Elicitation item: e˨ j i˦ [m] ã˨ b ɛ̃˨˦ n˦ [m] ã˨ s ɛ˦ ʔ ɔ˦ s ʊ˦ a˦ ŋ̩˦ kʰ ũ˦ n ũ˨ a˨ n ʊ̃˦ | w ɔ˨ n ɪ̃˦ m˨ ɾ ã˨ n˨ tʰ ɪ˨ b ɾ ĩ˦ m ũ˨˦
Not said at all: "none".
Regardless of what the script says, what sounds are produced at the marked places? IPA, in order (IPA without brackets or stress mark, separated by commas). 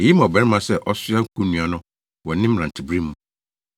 m, m